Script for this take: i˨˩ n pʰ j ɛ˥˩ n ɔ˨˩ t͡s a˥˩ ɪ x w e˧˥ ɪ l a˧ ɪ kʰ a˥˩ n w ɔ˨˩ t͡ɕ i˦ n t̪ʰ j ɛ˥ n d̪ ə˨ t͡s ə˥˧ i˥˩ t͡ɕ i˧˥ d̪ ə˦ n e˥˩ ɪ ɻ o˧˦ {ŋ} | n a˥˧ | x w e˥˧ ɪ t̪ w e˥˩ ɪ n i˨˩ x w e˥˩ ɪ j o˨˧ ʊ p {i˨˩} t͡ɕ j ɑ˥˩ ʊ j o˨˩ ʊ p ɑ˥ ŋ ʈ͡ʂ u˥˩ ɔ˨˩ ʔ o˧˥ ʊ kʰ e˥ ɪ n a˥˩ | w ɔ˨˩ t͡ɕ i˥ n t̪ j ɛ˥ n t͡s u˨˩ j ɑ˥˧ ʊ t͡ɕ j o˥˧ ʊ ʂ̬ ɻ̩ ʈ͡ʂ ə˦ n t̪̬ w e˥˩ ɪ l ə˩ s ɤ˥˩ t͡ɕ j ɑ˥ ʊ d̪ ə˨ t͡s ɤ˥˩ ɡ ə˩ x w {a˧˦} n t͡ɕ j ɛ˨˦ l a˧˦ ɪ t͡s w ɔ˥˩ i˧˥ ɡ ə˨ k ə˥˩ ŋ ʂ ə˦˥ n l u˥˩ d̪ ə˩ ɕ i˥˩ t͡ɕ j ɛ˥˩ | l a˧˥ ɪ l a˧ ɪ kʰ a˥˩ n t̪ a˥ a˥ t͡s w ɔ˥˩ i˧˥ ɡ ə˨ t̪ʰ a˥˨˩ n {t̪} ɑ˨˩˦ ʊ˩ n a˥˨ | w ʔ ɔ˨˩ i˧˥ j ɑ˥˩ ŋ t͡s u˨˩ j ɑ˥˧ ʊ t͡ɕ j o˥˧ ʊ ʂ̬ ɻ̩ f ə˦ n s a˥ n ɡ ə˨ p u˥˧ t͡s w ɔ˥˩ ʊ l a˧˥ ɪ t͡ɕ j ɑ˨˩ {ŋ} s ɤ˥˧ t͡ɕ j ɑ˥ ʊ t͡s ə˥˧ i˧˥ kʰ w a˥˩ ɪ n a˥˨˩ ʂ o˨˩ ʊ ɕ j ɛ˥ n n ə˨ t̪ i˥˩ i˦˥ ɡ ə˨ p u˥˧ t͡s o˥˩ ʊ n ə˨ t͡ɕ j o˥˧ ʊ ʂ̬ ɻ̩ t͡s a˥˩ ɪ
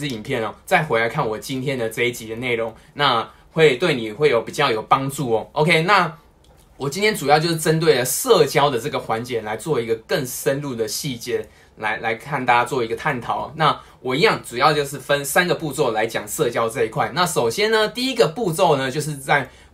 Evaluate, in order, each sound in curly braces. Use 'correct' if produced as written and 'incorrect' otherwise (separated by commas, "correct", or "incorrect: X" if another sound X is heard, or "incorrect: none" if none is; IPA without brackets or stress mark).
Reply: correct, correct, correct, incorrect: t̪ʰ, correct